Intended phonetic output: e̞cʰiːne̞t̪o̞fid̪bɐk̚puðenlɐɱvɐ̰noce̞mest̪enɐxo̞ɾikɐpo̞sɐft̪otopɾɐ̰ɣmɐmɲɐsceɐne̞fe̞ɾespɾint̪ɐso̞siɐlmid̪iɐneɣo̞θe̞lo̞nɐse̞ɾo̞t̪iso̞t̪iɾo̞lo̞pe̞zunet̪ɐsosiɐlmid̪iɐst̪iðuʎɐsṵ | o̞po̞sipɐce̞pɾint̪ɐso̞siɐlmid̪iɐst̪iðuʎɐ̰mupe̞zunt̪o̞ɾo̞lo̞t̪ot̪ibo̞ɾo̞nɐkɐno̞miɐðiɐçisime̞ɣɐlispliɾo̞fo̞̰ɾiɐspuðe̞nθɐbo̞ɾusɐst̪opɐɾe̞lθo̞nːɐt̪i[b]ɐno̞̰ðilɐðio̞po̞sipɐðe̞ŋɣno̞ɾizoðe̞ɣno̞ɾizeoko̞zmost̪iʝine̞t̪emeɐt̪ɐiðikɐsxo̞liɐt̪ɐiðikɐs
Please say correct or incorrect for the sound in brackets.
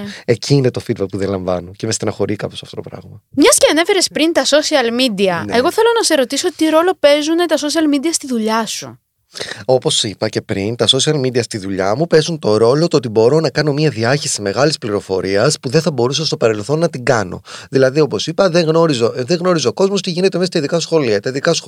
incorrect